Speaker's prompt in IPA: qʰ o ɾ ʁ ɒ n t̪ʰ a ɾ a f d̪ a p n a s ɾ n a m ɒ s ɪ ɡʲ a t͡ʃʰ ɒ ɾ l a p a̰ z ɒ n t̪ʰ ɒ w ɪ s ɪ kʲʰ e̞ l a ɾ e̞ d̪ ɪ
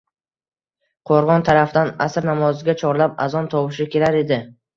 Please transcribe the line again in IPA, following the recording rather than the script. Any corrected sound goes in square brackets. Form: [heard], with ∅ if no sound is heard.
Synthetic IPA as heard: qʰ o ɾ ʁ ɒ n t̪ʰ a ɾ a f d̪ a [∅] n a s ɾ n a m ɒ [z] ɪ ɡʲ a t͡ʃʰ ɒ ɾ l a p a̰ z ɒ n t̪ʰ ɒ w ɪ [ʃ] ɪ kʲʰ e̞ l a ɾ e̞ d̪ ɪ